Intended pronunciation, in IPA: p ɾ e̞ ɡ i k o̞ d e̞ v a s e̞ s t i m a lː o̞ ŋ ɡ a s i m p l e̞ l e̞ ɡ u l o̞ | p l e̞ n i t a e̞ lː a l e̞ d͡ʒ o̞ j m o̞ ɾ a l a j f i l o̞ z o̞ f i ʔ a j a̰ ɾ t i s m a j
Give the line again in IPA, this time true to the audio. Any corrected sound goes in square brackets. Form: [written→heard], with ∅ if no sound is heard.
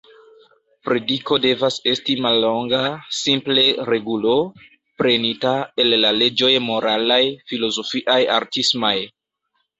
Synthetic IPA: p ɾ e̞ [ɡ→d] i k o̞ d e̞ v a s e̞ s t i m a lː o̞ ŋ ɡ a s i m p l e̞ [l→ɾ] e̞ ɡ u l o̞ | p [l→ɾ] e̞ n i t a e̞ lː a l e̞ d͡ʒ o̞ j m o̞ ɾ a l a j f i l o̞ z o̞ f i ʔ a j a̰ ɾ t i s m a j